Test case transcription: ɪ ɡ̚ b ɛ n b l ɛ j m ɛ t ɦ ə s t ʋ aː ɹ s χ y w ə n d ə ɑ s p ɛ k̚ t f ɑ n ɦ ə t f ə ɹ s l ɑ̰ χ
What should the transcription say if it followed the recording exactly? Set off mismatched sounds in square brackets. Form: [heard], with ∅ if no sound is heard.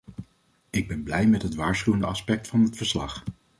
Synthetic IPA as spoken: ɪ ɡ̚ b ɛ n b l ɛ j m ɛ t ɦ ə [∅] t ʋ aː ɹ s χ y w ə n d ə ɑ s p ɛ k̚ t f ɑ n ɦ ə t f ə ɹ s l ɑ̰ χ